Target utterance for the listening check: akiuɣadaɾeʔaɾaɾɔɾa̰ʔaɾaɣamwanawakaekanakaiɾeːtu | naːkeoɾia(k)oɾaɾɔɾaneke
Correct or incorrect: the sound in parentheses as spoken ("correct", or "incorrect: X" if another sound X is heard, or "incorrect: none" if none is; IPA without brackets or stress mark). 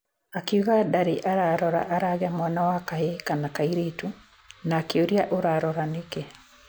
incorrect: ʔ